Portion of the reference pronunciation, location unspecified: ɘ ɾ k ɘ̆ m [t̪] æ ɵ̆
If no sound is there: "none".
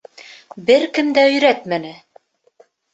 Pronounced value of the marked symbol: d̪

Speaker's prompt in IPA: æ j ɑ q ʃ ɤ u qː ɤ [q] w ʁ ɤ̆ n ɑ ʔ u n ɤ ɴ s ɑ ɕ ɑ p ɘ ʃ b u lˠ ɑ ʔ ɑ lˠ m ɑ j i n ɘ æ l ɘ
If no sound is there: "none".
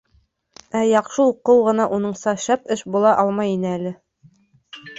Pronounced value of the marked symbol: none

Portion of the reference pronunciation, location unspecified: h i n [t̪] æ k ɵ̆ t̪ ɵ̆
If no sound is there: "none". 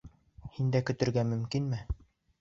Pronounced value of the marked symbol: d̪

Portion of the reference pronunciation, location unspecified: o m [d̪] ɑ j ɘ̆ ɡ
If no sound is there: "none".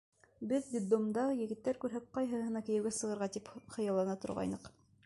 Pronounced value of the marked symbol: d̪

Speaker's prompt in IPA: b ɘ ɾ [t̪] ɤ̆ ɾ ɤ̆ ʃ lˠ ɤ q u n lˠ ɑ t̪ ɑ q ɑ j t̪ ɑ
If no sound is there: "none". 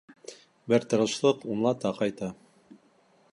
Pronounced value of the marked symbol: t̪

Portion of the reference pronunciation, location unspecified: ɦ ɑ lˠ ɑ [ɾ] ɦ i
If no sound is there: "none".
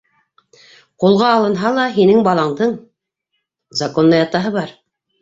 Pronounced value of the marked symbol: none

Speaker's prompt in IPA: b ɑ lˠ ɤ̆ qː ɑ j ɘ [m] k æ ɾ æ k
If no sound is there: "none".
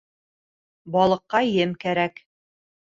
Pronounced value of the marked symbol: m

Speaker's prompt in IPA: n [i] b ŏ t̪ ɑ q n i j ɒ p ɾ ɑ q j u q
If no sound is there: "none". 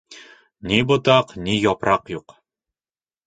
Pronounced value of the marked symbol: i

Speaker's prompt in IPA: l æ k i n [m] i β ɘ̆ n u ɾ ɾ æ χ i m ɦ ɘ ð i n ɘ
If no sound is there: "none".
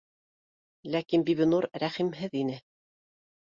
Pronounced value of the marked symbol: b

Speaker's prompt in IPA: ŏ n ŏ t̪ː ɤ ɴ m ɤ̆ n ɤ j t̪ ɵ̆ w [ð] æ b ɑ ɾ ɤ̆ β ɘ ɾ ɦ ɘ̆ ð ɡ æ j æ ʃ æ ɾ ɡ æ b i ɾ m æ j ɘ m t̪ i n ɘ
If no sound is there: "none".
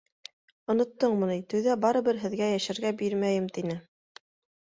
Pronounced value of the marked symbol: ð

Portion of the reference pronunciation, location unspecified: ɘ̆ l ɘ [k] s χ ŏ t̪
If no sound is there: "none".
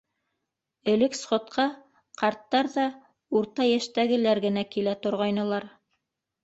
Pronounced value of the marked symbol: k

